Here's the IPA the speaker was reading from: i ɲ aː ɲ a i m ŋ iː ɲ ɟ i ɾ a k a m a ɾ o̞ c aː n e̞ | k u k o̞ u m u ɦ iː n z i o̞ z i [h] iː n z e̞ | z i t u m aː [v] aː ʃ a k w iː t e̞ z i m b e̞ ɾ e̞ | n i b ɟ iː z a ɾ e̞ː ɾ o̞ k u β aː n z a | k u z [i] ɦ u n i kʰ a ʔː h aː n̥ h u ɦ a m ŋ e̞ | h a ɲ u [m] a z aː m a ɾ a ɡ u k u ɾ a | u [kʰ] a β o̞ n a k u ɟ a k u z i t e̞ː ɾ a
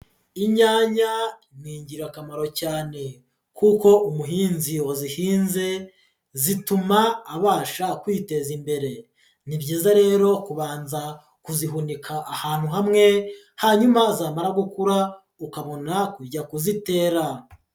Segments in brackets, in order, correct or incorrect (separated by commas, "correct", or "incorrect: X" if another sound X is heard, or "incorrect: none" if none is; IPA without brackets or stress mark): correct, incorrect: β, correct, correct, incorrect: k